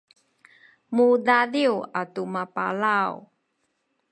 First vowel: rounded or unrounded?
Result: rounded